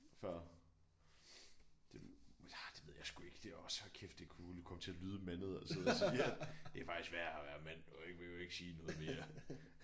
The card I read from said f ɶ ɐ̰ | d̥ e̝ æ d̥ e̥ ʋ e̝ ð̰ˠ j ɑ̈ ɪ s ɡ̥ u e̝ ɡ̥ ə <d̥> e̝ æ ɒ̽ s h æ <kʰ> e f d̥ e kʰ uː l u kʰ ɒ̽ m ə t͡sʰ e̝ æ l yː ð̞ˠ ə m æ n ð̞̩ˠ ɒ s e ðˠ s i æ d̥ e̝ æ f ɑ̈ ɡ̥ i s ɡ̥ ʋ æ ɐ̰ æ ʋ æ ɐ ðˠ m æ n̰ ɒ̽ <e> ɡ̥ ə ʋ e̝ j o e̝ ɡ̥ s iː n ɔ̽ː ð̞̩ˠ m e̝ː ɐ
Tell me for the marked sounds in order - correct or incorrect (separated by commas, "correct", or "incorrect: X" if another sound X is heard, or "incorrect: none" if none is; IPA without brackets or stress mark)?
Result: correct, correct, correct